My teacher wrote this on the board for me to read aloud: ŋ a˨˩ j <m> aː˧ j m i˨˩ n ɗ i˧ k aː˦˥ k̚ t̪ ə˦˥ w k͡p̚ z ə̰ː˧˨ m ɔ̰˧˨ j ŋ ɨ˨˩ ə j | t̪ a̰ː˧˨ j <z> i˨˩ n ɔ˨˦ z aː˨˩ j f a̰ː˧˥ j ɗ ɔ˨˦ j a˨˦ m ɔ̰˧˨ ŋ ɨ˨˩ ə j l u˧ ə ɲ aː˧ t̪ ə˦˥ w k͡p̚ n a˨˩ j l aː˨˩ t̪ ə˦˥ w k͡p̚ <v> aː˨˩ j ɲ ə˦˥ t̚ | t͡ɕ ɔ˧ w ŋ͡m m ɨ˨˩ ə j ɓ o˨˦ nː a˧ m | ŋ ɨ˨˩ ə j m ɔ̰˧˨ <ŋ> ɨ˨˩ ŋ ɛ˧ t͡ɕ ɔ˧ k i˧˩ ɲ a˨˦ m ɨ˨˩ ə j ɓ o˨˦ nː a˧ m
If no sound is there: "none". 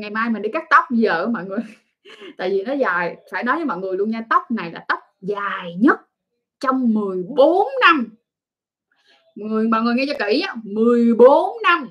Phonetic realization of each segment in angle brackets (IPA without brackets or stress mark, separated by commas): m, v, z, ŋ